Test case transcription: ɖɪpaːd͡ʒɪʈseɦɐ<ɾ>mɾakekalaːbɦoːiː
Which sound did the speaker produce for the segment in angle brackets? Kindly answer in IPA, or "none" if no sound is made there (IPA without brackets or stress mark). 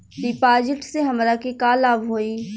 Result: none